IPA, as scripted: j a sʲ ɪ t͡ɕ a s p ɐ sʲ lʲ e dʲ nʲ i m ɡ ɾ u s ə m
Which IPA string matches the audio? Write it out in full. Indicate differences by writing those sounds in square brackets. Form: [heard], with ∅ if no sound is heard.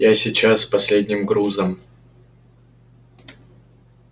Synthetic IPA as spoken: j a sʲ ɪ t͡ɕ a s p ɐ sʲ lʲ e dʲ nʲ [ɪ] m ɡ ɾ u [z] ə m